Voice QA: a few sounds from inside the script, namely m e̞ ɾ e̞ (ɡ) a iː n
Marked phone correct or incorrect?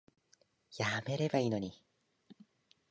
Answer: incorrect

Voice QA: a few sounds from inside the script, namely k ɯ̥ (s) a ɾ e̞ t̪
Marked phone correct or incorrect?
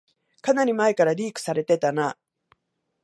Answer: correct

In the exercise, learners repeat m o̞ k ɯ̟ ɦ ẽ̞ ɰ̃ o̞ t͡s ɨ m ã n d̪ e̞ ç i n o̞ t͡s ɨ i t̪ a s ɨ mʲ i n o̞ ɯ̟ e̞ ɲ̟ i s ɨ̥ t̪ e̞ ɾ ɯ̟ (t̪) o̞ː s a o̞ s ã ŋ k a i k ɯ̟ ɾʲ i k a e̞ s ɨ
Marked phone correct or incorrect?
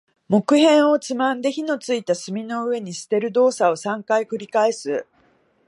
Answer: incorrect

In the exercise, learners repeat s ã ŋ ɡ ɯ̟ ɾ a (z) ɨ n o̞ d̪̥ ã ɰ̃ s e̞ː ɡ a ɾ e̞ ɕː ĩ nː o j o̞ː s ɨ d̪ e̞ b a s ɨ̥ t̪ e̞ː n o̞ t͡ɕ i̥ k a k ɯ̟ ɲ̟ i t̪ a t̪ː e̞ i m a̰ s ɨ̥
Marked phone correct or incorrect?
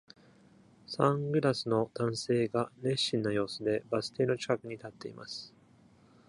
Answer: incorrect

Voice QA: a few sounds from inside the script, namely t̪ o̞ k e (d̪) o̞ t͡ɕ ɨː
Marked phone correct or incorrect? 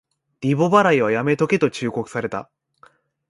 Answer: incorrect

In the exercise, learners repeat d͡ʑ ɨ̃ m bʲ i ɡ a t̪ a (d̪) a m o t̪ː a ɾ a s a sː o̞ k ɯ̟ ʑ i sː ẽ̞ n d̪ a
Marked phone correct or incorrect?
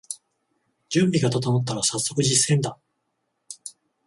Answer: incorrect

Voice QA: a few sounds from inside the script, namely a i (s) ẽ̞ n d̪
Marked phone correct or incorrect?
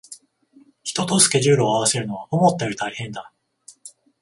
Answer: incorrect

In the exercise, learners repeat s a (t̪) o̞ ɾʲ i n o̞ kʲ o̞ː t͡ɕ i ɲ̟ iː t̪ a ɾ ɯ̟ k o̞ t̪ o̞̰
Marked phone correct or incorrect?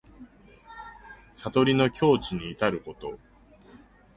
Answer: correct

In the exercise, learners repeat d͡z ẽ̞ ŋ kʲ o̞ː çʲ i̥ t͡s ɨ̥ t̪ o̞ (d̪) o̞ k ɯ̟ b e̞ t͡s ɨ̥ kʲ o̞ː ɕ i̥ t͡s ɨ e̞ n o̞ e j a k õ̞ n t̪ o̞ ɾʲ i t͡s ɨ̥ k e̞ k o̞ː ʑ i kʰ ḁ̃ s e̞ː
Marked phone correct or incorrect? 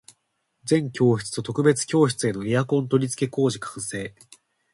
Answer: incorrect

